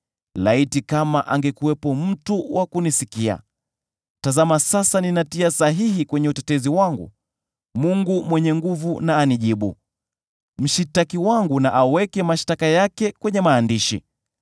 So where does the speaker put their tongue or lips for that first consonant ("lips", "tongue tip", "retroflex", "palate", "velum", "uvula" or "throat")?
tongue tip